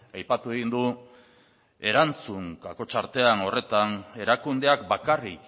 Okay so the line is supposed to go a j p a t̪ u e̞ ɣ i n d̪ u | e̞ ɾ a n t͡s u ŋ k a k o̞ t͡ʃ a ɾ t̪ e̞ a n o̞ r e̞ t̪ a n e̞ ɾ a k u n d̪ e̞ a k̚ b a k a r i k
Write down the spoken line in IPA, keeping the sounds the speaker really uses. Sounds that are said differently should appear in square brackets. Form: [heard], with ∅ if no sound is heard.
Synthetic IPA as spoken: a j p a t̪ u e̞ ɣ i n d̪ u | e̞ ɾ a n t͡s u ŋ k a k o̞ t͡ʃ a ɾ t̪ e̞ a n o̞ r e̞ t̪ a n e̞ ɾ a k u n d̪ e̞ a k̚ b a k a r i k